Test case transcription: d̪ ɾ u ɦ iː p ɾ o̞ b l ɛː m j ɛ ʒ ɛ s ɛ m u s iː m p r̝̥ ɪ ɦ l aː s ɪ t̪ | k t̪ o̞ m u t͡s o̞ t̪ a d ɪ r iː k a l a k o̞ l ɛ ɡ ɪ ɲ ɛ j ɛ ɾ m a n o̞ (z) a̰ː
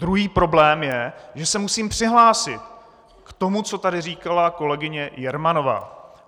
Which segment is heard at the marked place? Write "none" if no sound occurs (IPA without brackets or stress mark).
v